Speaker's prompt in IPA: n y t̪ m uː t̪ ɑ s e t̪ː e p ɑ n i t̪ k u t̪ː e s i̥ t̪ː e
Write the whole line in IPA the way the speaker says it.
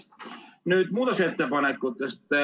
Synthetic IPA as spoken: n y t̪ m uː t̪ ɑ s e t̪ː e p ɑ n e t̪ k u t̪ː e s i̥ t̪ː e